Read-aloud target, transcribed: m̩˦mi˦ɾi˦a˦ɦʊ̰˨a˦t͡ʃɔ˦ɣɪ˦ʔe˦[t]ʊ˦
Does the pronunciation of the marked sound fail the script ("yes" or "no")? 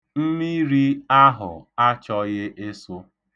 yes